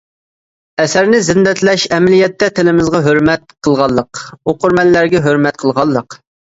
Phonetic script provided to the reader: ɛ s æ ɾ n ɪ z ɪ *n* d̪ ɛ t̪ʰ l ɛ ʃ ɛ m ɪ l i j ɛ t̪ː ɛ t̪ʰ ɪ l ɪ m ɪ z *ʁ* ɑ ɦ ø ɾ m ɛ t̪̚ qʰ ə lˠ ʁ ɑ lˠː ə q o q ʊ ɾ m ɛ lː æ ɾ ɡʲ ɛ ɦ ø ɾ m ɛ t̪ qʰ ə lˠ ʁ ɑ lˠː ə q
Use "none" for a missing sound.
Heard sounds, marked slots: n, ʁ

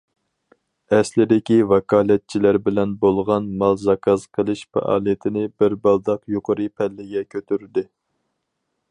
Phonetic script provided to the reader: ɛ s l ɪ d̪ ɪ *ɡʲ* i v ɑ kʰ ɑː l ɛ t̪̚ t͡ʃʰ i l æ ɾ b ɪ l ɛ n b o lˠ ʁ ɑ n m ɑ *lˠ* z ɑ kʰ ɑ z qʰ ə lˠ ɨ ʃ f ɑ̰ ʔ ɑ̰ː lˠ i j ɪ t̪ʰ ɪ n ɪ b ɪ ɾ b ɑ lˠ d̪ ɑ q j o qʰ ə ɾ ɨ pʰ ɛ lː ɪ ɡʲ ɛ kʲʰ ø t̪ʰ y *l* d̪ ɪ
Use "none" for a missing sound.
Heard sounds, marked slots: kʲ, lˠ, ɾ

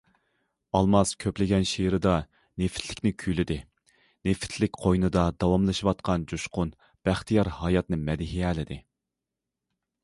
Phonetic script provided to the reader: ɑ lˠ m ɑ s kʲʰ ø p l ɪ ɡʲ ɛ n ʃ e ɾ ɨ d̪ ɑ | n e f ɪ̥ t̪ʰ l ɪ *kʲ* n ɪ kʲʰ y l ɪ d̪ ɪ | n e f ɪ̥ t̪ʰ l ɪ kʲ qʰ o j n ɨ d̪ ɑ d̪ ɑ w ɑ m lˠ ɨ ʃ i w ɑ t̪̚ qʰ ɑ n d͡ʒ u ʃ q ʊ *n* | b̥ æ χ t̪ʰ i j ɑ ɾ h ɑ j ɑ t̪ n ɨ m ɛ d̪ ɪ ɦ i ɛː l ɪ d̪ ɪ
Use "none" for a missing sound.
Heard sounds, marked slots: kʲ, n

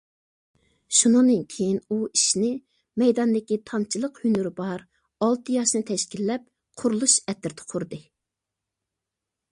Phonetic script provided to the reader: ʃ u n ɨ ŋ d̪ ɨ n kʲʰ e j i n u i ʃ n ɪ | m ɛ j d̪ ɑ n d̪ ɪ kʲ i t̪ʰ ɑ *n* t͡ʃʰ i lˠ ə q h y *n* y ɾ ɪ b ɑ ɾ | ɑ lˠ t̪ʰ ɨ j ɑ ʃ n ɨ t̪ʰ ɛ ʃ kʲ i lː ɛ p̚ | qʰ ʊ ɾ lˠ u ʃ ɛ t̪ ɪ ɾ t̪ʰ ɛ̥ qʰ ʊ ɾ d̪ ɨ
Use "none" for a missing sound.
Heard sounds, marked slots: n, n

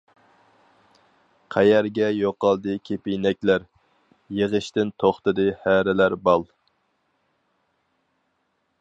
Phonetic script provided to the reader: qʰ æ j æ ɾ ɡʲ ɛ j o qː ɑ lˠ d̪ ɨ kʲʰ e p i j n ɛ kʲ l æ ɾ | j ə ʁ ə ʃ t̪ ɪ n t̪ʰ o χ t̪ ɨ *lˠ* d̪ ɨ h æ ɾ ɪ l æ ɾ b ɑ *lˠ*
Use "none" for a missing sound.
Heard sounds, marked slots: none, lˠ

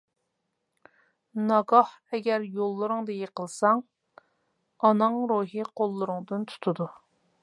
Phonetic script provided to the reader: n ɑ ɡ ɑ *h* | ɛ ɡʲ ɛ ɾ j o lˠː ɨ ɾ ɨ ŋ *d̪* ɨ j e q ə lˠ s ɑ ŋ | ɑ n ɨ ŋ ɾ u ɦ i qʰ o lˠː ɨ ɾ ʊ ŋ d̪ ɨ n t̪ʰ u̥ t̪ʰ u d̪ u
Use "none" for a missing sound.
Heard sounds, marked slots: h, d̪

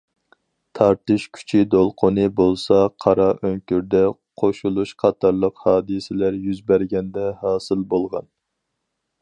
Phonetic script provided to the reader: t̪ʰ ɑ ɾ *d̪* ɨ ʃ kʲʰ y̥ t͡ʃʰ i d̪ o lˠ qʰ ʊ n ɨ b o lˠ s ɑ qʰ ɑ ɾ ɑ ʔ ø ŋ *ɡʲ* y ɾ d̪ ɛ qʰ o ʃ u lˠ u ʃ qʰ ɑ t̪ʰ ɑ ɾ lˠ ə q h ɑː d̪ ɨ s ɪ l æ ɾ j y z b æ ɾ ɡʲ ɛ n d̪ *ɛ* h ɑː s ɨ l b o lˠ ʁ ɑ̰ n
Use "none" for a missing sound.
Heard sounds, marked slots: t̪, kʲ, ɛ

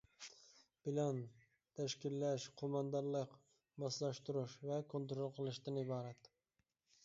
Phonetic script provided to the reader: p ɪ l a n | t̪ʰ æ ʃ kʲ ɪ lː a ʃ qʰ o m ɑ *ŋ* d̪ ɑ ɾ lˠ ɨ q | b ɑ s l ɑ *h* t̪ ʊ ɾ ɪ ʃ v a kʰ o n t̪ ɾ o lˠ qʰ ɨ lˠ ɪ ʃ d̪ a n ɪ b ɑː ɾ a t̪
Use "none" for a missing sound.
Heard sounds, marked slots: n, ʃ

